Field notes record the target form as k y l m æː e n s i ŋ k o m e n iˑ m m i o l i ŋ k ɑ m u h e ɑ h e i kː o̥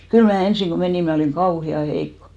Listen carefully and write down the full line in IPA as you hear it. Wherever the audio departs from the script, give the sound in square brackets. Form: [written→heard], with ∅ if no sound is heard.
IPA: k y l m æː e n s i ŋ k o m e n iˑ m m [i→æ] o l i ŋ k ɑ [m→∅] u h [e→i] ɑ h e i kː o̥